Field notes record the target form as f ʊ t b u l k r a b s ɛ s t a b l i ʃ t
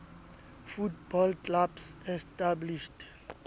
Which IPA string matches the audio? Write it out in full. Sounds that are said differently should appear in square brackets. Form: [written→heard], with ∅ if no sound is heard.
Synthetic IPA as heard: f [ʊ→u] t b [u→ɔ] l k [r→l] a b s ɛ s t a b l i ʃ t